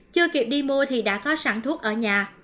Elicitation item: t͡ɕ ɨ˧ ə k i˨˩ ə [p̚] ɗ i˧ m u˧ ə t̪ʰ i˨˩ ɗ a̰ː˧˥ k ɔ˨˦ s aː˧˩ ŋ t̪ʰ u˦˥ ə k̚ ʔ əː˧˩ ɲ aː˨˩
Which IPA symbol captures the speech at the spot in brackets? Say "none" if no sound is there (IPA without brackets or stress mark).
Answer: p̚